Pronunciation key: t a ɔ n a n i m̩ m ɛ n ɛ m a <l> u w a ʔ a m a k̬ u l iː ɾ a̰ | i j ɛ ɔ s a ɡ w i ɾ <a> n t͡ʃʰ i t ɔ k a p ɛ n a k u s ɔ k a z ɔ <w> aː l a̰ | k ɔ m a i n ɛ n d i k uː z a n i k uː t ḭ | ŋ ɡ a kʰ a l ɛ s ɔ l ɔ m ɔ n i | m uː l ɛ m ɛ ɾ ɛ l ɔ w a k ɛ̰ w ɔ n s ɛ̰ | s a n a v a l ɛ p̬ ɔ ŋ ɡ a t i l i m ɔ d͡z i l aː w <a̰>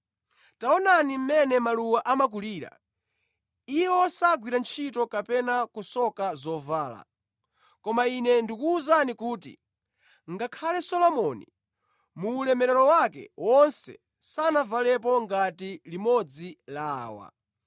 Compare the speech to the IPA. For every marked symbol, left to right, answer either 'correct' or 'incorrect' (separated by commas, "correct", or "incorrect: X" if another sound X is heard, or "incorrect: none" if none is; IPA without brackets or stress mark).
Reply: correct, correct, incorrect: v, correct